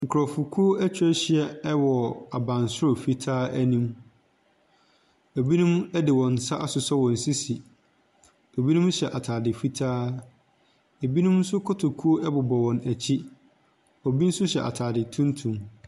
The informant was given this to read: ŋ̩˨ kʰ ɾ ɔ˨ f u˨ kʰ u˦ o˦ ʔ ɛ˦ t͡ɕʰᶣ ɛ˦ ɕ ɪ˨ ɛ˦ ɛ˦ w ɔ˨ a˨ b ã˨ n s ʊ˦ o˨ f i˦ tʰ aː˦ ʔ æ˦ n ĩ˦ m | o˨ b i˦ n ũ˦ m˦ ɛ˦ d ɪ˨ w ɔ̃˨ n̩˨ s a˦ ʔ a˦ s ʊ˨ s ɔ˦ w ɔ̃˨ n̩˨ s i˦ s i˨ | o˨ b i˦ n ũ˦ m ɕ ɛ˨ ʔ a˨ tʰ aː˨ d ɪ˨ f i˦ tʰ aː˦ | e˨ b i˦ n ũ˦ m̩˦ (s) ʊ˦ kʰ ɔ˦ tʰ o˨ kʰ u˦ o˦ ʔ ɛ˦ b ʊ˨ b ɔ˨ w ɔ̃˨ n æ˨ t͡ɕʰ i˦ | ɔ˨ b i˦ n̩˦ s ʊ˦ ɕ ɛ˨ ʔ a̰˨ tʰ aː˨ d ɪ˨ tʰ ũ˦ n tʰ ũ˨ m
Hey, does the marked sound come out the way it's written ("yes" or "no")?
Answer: yes